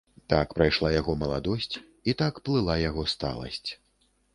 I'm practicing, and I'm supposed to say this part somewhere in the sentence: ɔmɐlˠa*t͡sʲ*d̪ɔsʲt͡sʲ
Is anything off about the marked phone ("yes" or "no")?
yes